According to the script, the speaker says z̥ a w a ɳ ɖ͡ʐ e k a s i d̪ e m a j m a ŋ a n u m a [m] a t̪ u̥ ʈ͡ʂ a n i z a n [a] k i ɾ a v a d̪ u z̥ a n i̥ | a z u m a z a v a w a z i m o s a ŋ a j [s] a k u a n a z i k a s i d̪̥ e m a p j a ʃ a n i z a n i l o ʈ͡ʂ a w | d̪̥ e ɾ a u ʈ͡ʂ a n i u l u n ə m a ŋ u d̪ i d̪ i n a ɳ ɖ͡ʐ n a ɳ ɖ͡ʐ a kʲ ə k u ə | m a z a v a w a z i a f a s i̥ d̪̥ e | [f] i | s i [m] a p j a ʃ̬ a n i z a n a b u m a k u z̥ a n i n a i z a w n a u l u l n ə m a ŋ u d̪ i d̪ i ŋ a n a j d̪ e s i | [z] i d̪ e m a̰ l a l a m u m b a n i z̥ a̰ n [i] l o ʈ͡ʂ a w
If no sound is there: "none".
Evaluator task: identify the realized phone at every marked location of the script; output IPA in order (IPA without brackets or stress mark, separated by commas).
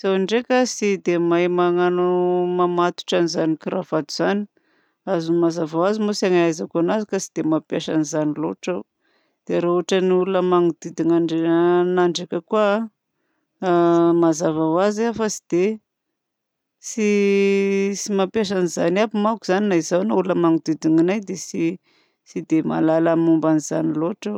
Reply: m, i, z, s, m, s, i